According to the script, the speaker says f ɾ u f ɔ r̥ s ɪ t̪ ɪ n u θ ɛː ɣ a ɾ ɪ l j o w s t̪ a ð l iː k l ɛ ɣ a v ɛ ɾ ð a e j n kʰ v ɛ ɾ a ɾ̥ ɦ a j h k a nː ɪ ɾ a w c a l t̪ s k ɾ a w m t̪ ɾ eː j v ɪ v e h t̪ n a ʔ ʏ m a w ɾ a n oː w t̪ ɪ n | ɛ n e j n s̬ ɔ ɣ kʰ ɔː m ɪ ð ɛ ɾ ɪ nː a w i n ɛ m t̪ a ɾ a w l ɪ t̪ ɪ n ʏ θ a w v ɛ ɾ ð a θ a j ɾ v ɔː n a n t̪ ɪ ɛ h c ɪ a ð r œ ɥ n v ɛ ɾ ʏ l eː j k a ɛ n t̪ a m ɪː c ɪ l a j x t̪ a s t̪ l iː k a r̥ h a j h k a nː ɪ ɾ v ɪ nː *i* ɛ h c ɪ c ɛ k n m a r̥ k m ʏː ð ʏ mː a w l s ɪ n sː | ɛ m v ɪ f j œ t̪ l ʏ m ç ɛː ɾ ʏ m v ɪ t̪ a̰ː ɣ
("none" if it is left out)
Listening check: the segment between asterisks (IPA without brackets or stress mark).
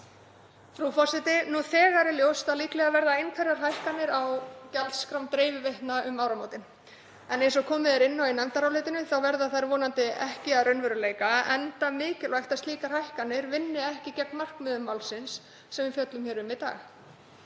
ɪ